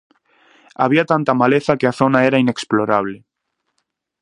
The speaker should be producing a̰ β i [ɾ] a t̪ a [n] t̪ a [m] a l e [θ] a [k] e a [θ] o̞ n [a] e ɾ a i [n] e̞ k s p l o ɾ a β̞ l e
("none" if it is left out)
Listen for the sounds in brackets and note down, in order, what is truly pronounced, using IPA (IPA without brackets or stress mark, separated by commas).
none, n, m, θ, k, θ, a, n